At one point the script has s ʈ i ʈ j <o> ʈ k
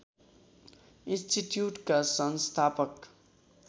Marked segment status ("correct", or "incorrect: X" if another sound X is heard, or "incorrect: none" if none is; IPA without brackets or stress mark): incorrect: u